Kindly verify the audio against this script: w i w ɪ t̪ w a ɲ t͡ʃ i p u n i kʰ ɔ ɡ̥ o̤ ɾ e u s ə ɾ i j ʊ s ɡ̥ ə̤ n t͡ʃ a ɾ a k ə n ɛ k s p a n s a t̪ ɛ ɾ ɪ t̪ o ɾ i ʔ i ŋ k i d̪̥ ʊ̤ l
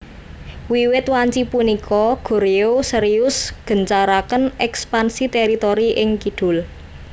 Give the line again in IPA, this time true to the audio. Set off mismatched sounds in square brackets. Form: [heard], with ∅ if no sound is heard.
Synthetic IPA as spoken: w i w ɪ t̪ w a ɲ t͡ʃ i p u n i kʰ ɔ ɡ̥ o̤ ɾ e [o] s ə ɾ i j ʊ s ɡ̥ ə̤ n t͡ʃ a ɾ a k ə n ɛ k s p a n s [i] t̪ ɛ ɾ [i] t̪ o ɾ i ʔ [ɪ] ŋ k i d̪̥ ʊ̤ l